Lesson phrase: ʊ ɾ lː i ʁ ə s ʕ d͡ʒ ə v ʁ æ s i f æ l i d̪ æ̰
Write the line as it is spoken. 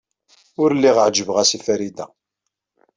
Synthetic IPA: ʊ ɾ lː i ʁ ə ʕ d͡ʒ ə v ʁ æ s i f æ ɾ i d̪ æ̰